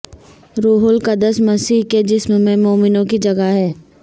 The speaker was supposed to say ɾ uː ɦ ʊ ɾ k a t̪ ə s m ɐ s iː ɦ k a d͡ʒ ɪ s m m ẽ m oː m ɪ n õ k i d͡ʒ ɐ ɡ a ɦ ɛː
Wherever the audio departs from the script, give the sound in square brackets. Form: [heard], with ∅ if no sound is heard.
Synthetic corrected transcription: ɾ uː ɦ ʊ [l] k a [d̪] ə s m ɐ s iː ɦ k [e] d͡ʒ ɪ s m m ẽ m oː m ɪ n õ k i d͡ʒ ɐ ɡ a ɦ ɛː